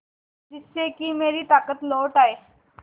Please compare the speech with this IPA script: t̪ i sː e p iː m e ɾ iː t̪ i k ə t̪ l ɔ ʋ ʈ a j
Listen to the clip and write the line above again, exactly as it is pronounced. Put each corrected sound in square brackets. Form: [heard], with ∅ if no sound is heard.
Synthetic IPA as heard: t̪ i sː e [k] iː m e ɾ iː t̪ [a] k ə t̪ l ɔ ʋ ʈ a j